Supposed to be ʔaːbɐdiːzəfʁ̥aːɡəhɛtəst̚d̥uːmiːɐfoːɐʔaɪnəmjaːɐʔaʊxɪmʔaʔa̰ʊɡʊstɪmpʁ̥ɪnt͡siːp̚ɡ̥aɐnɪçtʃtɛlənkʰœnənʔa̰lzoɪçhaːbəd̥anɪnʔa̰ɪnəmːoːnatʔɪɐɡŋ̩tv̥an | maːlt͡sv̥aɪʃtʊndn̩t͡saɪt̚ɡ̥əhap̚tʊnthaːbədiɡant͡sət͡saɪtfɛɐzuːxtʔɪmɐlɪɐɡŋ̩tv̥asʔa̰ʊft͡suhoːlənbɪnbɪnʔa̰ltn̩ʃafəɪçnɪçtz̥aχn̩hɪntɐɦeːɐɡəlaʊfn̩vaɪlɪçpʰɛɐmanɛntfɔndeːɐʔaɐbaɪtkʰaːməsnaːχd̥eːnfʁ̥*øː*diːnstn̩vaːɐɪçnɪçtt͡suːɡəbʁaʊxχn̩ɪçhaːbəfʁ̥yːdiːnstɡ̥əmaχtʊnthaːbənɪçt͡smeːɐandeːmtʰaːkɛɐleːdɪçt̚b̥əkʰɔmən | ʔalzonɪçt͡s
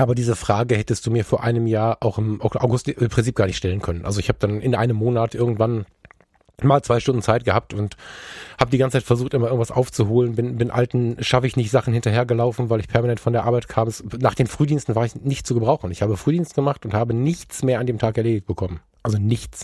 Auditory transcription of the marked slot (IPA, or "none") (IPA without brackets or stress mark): yː